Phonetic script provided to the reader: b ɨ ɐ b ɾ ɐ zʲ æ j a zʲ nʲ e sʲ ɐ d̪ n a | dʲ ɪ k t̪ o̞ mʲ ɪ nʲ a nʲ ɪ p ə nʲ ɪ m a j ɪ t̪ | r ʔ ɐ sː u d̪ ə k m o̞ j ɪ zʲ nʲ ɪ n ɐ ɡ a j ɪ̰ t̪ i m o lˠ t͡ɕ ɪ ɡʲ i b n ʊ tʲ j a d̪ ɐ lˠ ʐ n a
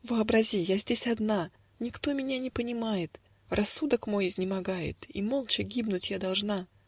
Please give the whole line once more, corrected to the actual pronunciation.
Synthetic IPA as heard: v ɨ ɐ b ɾ ɐ zʲ i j a zʲ dʲ e sʲ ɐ d̪ n a | nʲ ɪ k t̪ o̞ mʲ ɪ nʲ a nʲ ɪ p ə nʲ ɪ m a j ɪ t̪ | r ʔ ɐ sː u d̪ ə k m o̞ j ɪ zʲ nʲ ɪ m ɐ ɡ a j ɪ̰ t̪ i m o lˠ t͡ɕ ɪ ɡʲ i b n ʊ tʲ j a d̪ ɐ lˠ ʐ n a